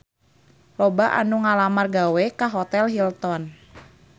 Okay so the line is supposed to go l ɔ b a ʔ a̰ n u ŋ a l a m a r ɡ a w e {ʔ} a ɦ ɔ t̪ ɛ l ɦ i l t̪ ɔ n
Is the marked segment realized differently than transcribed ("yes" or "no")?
yes